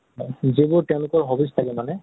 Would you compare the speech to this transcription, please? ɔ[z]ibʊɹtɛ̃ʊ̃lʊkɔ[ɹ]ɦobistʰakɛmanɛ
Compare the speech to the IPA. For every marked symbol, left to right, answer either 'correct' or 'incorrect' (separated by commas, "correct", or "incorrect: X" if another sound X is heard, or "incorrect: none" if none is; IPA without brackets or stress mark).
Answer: correct, correct